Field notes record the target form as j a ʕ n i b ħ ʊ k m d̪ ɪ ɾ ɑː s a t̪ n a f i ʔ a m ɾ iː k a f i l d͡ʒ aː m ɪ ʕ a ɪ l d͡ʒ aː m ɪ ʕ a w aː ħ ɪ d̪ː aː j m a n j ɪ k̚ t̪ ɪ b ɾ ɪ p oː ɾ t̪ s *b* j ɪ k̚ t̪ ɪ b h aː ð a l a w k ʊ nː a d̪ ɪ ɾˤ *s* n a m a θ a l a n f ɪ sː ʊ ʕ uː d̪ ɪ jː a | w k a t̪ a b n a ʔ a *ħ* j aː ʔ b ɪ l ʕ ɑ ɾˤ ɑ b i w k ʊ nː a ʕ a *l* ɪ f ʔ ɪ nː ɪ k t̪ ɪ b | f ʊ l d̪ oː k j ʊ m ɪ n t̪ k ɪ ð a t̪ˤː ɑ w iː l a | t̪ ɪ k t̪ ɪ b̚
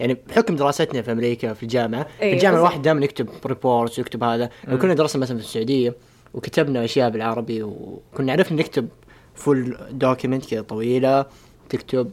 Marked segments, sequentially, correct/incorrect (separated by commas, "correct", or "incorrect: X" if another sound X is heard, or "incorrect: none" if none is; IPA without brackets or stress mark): incorrect: w, correct, incorrect: ʃ, incorrect: ɾ